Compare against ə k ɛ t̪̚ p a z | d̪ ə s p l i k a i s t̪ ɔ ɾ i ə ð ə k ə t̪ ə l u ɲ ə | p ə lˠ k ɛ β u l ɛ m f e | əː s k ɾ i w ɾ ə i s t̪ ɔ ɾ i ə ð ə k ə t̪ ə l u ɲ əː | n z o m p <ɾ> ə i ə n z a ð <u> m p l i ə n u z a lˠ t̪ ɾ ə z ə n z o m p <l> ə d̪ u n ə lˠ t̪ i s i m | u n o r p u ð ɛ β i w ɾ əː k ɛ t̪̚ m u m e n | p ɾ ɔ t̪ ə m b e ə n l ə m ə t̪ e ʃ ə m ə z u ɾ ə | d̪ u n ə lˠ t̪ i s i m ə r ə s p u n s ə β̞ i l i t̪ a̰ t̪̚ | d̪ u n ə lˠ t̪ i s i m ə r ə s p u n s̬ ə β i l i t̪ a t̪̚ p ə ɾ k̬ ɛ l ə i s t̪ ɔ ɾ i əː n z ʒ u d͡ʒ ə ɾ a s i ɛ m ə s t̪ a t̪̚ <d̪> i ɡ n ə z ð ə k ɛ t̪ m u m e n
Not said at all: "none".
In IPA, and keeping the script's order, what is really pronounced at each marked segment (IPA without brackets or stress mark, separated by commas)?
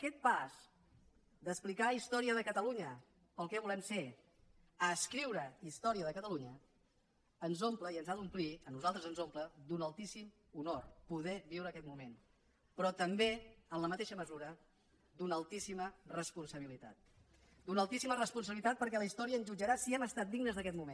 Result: l, u, l, d̪